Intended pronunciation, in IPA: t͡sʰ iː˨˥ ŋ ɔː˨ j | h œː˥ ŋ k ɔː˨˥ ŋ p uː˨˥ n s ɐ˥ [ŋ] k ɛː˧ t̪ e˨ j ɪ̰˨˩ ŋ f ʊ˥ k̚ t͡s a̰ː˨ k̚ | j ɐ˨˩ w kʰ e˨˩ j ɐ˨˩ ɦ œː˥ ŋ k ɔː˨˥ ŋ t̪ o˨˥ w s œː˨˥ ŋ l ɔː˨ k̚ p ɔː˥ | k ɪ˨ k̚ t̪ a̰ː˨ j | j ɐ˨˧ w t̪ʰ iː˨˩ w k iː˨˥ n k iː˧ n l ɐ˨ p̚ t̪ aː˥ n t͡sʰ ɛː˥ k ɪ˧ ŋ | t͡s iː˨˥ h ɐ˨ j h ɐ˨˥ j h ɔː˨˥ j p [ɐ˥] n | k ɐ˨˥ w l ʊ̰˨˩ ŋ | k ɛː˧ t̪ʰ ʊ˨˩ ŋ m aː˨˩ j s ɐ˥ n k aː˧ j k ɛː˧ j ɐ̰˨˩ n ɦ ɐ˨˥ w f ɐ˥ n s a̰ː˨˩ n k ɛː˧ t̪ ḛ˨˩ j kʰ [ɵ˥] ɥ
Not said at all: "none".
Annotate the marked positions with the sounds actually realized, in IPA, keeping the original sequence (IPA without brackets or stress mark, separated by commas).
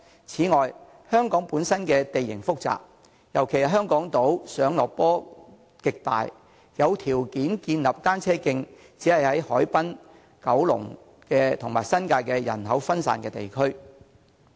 n, ɐ˥, ɵ˥